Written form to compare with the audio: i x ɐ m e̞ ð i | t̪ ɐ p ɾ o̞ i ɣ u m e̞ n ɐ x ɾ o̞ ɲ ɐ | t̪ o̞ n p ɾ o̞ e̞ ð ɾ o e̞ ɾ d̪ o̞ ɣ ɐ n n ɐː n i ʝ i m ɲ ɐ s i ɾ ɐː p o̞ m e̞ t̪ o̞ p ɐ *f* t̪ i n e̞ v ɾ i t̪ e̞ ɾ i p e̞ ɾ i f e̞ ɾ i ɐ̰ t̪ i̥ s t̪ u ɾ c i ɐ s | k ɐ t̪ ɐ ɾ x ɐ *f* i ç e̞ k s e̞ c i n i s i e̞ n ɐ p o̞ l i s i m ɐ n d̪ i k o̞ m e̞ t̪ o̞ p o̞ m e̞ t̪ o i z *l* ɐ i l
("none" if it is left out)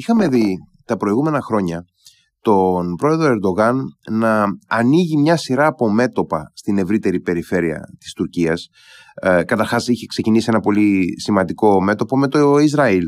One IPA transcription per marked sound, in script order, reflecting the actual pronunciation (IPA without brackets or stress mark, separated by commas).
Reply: s, s, ɾ